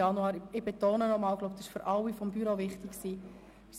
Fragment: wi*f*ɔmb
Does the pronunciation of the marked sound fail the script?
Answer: no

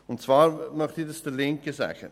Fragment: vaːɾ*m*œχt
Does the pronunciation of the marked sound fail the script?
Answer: no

